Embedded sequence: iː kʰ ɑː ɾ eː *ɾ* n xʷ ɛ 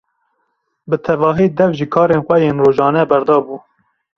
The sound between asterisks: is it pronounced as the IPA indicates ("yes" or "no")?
no